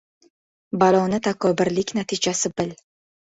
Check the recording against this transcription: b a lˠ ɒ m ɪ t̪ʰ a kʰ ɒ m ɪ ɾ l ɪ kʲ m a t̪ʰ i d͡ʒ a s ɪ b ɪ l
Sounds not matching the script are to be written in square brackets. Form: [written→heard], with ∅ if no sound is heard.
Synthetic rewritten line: b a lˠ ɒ [m→n] ɪ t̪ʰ a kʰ ɒ [m→b] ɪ ɾ l ɪ kʲ [m→n] a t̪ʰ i d͡ʒ a s ɪ b ɪ l